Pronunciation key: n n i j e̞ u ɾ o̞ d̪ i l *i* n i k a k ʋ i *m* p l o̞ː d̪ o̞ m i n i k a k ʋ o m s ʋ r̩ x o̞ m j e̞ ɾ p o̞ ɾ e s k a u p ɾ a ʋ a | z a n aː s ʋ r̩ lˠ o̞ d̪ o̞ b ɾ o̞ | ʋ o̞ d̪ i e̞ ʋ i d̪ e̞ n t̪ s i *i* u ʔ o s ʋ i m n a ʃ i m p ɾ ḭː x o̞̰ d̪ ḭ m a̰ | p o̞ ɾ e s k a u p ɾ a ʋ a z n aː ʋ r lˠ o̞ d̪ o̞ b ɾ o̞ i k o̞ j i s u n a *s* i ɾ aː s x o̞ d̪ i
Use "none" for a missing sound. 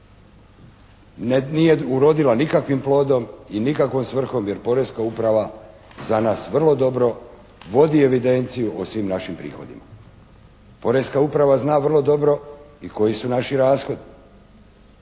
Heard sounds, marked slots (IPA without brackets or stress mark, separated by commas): a, m, j, ʃ